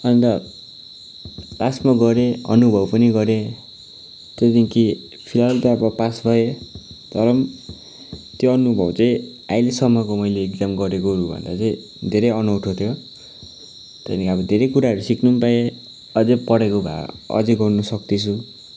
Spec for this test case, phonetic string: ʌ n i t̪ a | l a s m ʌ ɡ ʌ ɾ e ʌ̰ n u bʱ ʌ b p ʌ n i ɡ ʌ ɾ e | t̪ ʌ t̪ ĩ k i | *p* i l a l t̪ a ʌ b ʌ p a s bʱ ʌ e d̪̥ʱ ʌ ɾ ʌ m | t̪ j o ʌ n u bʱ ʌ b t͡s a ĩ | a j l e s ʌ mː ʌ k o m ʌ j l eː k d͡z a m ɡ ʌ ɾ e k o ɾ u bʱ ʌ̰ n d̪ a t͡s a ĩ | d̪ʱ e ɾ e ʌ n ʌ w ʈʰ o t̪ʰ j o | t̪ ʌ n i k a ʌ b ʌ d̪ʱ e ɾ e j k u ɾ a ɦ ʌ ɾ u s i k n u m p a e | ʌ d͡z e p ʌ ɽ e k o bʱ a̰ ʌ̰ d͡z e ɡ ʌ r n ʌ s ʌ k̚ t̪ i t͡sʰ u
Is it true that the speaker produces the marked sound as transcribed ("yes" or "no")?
no